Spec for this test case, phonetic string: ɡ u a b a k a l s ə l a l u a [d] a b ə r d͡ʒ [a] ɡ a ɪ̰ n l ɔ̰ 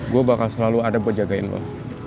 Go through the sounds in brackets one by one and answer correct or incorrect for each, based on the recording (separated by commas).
correct, correct